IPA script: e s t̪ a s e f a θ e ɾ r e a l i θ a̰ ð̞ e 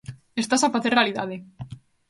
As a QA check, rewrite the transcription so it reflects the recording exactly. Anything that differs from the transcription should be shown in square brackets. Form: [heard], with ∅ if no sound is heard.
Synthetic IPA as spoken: e s t̪ a s [a] f a θ e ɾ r e a l i [ð] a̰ ð̞ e